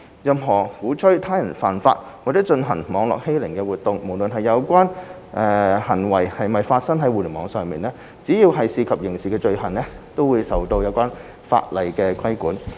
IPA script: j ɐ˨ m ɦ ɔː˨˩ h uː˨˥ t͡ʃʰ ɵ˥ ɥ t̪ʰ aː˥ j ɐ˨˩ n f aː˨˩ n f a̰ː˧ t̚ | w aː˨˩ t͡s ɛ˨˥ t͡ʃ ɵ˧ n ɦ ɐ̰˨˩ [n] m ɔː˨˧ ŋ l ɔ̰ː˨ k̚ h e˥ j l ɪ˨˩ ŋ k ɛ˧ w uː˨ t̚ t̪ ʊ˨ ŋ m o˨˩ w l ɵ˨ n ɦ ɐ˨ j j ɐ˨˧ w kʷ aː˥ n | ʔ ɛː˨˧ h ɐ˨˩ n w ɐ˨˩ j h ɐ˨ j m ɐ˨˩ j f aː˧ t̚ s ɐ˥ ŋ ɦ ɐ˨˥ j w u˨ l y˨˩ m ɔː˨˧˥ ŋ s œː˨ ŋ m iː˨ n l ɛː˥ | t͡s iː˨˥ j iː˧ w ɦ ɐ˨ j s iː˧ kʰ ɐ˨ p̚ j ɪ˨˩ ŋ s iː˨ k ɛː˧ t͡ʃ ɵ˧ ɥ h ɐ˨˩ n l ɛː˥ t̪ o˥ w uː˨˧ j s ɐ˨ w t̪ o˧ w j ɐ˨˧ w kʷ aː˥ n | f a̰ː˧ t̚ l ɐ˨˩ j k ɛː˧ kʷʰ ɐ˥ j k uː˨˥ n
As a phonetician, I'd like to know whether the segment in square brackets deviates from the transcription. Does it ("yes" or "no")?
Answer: yes